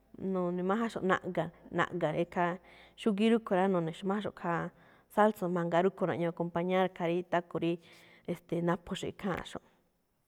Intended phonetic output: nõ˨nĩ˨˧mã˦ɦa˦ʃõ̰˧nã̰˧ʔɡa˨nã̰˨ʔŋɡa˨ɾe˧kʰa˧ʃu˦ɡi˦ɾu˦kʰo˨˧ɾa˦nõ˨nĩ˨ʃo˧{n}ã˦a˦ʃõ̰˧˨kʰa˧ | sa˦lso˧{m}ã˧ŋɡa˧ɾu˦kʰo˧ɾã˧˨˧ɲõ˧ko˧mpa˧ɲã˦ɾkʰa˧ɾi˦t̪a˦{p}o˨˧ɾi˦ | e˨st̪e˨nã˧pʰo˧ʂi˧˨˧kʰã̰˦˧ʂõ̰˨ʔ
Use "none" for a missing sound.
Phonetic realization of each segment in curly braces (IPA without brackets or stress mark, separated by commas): m, m, k